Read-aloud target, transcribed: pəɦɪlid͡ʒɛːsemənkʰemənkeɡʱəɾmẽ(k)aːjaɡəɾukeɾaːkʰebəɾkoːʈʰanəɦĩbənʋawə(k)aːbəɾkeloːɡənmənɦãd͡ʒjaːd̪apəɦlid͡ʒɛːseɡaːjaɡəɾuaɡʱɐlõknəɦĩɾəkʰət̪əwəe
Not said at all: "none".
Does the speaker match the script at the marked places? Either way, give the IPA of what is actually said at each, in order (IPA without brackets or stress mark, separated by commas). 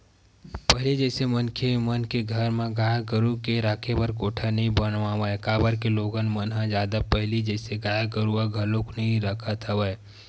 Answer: ɡ, k